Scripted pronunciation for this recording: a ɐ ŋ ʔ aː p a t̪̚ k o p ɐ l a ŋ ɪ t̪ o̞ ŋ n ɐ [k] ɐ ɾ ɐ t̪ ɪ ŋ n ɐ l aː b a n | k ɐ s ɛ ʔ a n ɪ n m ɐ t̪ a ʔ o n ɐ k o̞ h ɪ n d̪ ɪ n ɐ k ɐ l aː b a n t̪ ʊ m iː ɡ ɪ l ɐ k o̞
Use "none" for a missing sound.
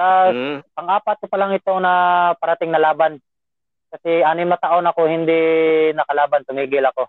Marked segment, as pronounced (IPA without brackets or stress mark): p